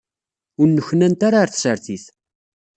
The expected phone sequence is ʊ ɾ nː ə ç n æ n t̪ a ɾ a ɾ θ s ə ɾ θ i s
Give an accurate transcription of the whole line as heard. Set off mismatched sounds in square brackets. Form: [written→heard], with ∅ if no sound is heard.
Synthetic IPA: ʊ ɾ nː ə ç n æ n t̪ a ɾ a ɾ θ s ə ɾ θ i [s→θ]